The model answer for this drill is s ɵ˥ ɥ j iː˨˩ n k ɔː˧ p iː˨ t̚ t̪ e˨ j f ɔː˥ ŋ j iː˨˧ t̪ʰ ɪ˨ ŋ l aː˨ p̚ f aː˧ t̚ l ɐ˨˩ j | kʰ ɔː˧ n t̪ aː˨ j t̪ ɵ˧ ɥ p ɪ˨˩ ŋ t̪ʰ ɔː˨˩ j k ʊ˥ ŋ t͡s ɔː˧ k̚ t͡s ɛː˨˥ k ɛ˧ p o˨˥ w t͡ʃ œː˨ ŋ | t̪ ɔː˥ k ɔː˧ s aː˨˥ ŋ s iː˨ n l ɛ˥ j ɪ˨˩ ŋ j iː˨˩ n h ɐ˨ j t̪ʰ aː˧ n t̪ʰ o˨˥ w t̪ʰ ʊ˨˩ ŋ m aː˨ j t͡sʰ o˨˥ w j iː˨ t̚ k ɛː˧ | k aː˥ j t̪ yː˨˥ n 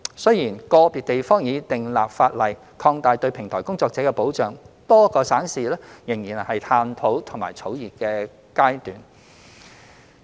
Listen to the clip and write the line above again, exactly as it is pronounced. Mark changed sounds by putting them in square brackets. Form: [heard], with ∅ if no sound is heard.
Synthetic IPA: s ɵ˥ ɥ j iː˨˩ n k ɔː˧ p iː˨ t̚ t̪ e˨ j f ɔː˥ ŋ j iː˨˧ [t̪] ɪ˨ ŋ l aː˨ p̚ f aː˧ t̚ l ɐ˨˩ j | kʰ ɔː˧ [ŋ] t̪ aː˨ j t̪ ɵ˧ ɥ [pʰ] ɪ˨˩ ŋ t̪ʰ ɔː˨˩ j k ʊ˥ ŋ t͡s ɔː˧ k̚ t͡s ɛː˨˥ k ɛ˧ p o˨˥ w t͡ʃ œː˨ ŋ | t̪ ɔː˥ k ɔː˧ s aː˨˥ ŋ s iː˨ [∅] l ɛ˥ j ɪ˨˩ ŋ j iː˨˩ n h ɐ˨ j t̪ʰ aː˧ n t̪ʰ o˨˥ w t̪ʰ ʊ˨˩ ŋ m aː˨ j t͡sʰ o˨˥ w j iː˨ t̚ k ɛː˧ | k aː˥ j t̪ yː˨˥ n